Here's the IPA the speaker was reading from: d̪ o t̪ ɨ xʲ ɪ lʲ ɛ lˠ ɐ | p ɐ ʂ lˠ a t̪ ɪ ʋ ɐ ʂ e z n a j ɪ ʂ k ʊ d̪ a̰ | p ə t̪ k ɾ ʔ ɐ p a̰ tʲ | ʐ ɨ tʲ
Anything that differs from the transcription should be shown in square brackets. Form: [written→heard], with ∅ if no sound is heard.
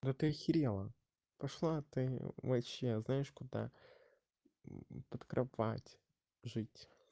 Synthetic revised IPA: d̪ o t̪ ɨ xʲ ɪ [lʲ→ɾʲ] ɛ lˠ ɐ | p ɐ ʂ lˠ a t̪ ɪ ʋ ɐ [ʂ→ɕ] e z n a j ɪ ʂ k ʊ d̪ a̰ | p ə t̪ k ɾ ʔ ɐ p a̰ tʲ | ʐ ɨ tʲ